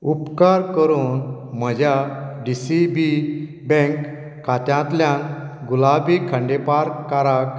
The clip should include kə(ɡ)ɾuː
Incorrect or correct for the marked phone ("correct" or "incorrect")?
incorrect